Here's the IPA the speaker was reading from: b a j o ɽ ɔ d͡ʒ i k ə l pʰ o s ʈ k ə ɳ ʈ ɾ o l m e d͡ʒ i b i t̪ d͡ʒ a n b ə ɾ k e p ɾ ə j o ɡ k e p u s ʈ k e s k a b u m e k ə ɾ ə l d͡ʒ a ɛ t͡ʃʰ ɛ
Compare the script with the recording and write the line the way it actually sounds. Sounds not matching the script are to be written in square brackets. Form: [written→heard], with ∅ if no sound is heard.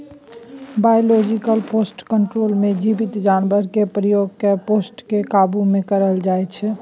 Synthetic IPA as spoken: b a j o [ɽ→l] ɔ d͡ʒ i k ə l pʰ o s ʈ k ə ɳ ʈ ɾ o l m e d͡ʒ i b i t̪ d͡ʒ a n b ə ɾ k e p ɾ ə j o ɡ k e p [u→o] s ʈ k e [s→∅] k a b u m e k ə ɾ ə l d͡ʒ a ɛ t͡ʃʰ ɛ